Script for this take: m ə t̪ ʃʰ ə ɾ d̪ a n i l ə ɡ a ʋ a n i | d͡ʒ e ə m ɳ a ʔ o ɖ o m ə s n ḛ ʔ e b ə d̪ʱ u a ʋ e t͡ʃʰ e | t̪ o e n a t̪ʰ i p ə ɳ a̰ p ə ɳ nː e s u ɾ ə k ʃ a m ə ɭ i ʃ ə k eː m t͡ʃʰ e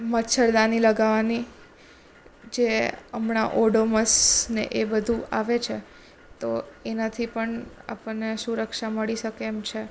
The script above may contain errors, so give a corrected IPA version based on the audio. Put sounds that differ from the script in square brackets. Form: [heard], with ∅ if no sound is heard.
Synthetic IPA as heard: m ə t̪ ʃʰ ə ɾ d̪ a n i l ə ɡ a ʋ a n i | d͡ʒ e ə m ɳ a ʔ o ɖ o m ə s n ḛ ʔ e b ə d̪ʱ u a ʋ e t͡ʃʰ e | t̪ o e n a t̪ʰ i p ə ɳ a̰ p ə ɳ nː e s u ɾ ə k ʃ a m ə ɭ i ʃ ə k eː m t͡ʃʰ e